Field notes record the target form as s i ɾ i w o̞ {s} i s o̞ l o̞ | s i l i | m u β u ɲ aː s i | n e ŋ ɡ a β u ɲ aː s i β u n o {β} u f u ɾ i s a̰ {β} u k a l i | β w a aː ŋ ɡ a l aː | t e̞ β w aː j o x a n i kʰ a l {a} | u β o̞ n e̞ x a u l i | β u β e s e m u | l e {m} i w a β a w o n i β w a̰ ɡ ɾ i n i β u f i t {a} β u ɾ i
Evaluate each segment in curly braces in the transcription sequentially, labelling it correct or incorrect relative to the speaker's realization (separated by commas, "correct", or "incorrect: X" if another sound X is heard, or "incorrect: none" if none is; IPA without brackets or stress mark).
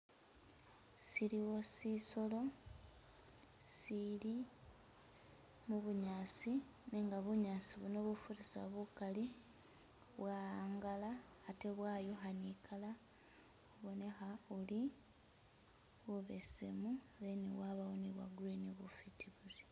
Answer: correct, correct, correct, correct, incorrect: n, incorrect: i